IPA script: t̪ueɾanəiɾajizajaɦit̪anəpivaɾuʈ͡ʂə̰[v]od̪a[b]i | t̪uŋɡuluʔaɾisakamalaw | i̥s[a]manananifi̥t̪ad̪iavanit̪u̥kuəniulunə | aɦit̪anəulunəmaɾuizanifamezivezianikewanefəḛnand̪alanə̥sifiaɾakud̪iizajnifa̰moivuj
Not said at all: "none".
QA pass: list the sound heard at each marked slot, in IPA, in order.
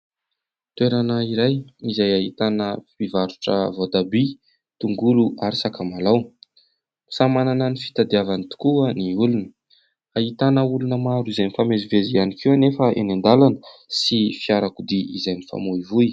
v, b, a

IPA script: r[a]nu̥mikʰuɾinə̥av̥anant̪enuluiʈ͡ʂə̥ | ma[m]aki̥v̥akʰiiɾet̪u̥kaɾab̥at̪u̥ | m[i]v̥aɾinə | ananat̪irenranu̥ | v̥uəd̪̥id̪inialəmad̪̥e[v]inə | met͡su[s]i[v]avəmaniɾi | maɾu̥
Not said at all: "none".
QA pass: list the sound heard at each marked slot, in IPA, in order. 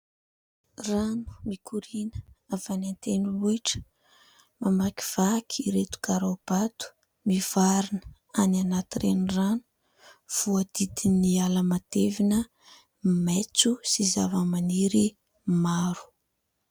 a, m, i, v, s, z

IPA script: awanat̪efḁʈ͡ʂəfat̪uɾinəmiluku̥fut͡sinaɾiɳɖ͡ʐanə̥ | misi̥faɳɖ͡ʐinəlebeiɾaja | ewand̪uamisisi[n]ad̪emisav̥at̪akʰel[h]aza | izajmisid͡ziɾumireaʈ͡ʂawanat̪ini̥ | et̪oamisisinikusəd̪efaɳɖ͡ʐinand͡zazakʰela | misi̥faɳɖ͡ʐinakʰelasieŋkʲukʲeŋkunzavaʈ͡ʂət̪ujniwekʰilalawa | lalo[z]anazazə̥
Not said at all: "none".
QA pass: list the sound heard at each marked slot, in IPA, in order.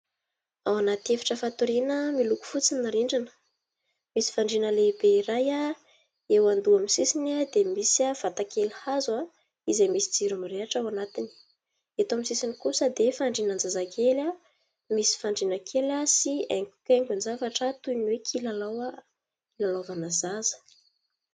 n, h, v

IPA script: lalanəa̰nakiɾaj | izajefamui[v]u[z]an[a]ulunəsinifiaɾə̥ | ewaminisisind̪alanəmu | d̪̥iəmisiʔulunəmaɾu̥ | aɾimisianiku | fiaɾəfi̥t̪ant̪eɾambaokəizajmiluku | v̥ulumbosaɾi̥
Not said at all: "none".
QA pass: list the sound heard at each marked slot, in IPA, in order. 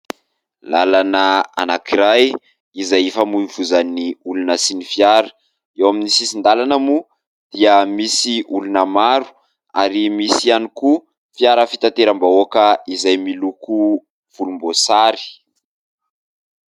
v, z, i

